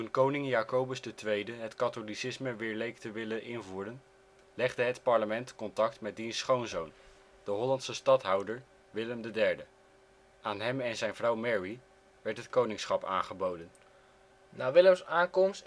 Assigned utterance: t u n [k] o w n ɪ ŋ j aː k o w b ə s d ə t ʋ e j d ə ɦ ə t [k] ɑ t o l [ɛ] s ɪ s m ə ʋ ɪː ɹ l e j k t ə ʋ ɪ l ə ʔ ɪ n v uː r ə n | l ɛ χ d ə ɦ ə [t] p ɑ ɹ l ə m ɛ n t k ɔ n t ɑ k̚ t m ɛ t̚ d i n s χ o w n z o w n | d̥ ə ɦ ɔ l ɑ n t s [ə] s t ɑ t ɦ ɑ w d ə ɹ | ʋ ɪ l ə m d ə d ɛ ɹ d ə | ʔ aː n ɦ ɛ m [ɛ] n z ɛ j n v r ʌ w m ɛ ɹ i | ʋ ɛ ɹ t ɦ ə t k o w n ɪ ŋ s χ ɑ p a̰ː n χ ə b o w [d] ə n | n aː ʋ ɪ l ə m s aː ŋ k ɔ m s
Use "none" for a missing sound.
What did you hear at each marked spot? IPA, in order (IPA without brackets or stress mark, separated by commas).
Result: k, k, i, t, ə, ɛ, d